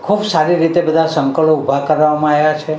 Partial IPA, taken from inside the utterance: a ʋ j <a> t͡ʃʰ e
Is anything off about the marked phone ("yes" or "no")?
no